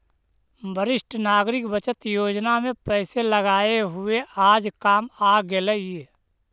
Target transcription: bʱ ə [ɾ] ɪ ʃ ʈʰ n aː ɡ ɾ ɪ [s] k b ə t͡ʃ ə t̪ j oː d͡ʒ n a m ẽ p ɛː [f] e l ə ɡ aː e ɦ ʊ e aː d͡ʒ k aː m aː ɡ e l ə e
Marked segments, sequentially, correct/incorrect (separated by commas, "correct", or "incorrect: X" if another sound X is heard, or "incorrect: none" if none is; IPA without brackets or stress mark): correct, incorrect: none, incorrect: s